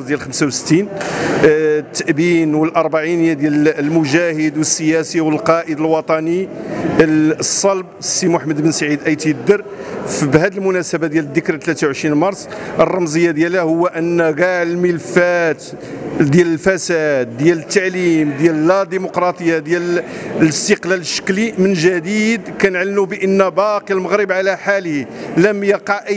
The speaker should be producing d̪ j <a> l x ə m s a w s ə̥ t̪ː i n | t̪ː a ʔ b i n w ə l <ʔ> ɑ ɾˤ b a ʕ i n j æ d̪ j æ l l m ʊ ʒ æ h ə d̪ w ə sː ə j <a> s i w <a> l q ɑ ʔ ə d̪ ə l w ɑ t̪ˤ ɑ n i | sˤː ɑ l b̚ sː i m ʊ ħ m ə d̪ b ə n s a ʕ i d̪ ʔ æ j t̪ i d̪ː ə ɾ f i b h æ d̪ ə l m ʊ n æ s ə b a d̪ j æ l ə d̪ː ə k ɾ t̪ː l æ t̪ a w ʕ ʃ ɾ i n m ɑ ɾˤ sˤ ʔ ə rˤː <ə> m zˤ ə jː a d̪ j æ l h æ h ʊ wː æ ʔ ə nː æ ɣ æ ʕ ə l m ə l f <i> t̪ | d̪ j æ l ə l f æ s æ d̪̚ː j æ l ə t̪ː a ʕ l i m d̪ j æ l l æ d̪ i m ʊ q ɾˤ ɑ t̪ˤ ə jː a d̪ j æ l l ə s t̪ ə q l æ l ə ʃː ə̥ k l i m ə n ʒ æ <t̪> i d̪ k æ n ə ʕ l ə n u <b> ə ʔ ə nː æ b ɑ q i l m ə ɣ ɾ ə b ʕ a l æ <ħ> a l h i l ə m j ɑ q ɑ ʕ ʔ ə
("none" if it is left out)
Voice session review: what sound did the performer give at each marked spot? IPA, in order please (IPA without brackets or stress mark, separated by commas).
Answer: æ, ʔ, æ, ə, ɑ, æ, d̪, b, ħ